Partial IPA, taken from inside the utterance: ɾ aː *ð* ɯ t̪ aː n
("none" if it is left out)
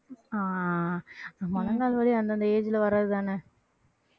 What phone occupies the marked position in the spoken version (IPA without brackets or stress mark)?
ð